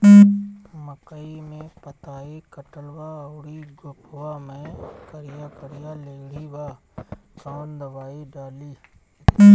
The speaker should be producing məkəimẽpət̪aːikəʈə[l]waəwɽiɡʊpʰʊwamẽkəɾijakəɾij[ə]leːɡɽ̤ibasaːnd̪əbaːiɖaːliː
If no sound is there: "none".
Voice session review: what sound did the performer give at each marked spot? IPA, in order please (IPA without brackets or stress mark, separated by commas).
l, a